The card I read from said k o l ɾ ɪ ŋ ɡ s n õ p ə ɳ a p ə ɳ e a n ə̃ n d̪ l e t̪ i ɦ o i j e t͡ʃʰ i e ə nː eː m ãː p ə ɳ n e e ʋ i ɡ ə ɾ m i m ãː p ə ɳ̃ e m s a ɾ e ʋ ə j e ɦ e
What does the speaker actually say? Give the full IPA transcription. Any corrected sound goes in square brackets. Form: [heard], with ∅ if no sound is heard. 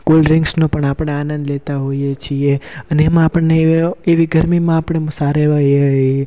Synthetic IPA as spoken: k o l ɾ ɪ ŋ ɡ s n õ p ə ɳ a p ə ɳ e a n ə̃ n d̪ l e t̪ [a] ɦ o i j e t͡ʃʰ i e ə [n] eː m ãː p ə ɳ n e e ʋ i ɡ ə ɾ m i m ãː p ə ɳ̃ e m s a ɾ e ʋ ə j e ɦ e

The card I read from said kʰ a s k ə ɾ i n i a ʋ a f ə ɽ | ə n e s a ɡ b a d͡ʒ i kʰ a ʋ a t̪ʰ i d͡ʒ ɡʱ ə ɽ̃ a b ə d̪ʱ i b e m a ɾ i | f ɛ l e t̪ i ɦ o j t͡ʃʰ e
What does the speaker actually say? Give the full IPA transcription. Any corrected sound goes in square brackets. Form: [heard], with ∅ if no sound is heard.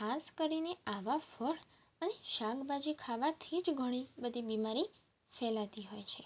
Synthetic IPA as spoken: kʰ a s k ə ɾ i n [e] a ʋ a f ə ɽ | ə n e [ʃ] a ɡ b a d͡ʒ i kʰ a ʋ a t̪ʰ i d͡ʒ ɡʱ ə ɽ̃ [i] b ə d̪ʱ i b [i] m a ɾ i | f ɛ l [a] t̪ i ɦ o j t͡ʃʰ e

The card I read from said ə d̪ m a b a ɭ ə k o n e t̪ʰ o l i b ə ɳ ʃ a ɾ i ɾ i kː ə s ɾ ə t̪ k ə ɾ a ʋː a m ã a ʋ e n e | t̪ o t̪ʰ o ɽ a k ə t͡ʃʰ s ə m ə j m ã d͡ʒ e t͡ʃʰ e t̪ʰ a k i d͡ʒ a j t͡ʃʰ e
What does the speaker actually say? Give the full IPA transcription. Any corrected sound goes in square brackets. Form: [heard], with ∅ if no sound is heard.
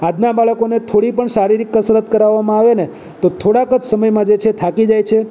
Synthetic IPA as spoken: [a] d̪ [n] a b a ɭ ə k o n e t̪ʰ o [ɽ] i [p] ə ɳ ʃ a ɾ i ɾ i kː ə s ɾ ə t̪ k ə ɾ a ʋː a m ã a ʋ e n e | t̪ o t̪ʰ o ɽ a k ə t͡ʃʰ s ə m ə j m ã d͡ʒ e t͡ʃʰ e t̪ʰ a k i d͡ʒ a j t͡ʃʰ e

